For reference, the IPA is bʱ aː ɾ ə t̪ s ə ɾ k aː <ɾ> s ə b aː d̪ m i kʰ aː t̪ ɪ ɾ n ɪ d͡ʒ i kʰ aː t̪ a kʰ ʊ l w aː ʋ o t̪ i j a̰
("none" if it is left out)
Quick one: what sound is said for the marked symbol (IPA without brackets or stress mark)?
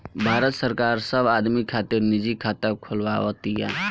ɾ